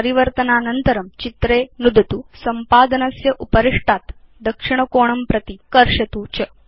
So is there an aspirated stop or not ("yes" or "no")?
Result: no